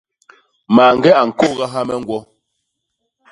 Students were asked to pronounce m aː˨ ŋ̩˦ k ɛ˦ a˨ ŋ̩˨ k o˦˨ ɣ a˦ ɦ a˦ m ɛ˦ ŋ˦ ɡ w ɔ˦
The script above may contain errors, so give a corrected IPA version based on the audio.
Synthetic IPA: m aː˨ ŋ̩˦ ɡ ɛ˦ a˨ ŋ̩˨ k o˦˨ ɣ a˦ ɦ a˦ m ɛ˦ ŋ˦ ɡ w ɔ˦